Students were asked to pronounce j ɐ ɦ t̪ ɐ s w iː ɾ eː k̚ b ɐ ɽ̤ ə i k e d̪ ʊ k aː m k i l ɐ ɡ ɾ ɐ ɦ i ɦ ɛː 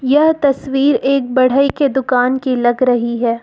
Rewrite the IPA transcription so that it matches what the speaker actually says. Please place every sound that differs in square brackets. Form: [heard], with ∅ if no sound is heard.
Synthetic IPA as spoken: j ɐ ɦ t̪ ɐ s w iː ɾ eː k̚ b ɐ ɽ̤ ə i k e d̪ ʊ k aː [n] k i l ɐ ɡ ɾ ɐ ɦ i ɦ ɛː